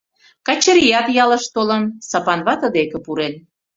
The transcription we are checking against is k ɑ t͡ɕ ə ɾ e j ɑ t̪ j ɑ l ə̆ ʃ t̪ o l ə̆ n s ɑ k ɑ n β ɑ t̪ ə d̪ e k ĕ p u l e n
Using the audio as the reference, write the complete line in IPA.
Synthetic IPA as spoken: k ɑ t͡ɕ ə ɾ i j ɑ t̪ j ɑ l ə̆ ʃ t̪ o l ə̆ n s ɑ p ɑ n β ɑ t̪ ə d̪ e k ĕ p u ɾ e n

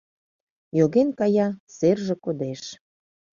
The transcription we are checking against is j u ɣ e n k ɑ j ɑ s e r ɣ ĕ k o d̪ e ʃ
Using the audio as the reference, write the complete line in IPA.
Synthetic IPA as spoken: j o ɣ e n k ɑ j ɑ s e r ʒ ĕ k o d̪ e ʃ

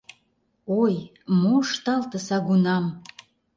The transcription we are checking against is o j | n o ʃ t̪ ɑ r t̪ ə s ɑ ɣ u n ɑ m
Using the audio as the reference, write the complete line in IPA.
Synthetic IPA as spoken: o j | m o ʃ t̪ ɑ l t̪ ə s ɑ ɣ u n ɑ m

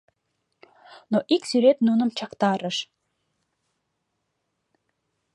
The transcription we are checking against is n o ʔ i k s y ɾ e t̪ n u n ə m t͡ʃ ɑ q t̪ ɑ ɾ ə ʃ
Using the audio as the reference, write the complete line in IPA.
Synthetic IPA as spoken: n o ʔ i k s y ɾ e t̪ n u n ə m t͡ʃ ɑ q t̪ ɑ ɾ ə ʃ

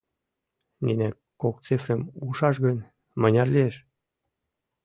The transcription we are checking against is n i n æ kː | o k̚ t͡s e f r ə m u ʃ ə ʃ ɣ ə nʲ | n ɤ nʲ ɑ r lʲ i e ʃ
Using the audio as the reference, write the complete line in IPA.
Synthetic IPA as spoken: n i n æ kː | o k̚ t͡s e f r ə m u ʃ ɑ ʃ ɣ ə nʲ | m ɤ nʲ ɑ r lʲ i e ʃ

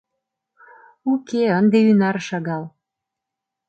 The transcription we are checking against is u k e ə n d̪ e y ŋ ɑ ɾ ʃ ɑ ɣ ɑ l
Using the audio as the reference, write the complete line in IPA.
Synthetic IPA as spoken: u k e ə n d̪ e y n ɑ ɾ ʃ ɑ ɣ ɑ l

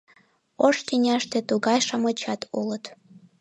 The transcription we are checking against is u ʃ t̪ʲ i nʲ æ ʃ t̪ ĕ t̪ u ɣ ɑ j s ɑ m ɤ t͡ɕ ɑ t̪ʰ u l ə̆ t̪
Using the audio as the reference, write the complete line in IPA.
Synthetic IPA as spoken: o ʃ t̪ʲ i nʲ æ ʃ t̪ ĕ t̪ u ɣ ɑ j ʃ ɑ m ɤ t͡ɕ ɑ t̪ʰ u l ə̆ t̪

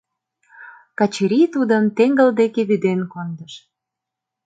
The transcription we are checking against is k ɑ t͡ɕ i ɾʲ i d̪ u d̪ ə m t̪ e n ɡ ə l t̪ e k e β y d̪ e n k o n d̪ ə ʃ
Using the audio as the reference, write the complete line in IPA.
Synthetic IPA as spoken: k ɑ t͡ɕ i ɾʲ i t̪ u d̪ ə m t̪ e ŋ ɡ ə l d̪ e k e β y d̪ e n k o n d̪ ə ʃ

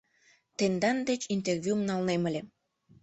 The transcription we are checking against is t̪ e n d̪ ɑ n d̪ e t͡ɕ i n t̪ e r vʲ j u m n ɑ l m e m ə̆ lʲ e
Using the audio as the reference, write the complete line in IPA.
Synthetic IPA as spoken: t̪ e n d̪ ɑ n d̪ e t͡ɕ i n t̪ e r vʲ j u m n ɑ l n e m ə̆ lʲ e

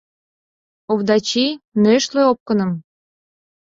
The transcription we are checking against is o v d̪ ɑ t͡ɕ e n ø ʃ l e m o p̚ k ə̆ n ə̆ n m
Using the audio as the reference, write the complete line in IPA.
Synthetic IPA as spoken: o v d̪ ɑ t͡ɕ i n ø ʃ l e o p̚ k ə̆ n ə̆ m

